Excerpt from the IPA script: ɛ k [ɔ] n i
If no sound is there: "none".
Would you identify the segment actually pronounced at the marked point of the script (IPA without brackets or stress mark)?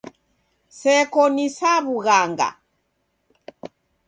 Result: ɔ